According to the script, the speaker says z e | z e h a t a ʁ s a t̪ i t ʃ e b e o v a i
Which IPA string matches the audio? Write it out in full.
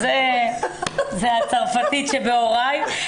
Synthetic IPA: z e | z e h a t͡s a ʁ f a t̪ i t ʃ e b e o ʁ a j

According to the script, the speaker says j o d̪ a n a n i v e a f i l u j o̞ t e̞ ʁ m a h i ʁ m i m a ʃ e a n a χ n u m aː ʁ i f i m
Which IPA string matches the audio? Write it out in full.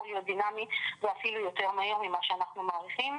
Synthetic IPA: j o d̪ i n a m i v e a f i l u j o̞ t e̞ ʁ m a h i ʁ m i m a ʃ e a n a χ n u m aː ʁ i χ i m

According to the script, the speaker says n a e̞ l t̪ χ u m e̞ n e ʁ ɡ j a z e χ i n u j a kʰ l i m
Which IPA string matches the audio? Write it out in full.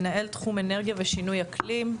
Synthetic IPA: n a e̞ l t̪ χ u m e̞ n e ʁ ɡ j a v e ʃ i n u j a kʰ l i m

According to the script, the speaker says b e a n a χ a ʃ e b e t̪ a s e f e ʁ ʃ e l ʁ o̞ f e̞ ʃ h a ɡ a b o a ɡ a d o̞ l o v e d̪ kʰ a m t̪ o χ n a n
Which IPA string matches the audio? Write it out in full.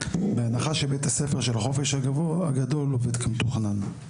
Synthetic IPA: b e a n a χ a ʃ e b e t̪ a s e f e ʁ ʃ e l χ o̞ f e̞ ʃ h a ɡ a v o a ɡ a d o̞ l o v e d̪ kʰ a m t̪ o χ n a n

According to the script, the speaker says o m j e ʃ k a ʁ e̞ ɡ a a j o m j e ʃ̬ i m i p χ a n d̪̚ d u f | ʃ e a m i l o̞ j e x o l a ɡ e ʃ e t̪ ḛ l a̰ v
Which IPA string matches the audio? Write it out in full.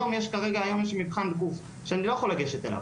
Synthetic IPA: o m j e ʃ k a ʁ e̞ ɡ a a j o m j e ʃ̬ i m i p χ a n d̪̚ ɡ u f | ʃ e a n i l o̞ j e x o l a ɡ e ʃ e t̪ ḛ l a̰ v

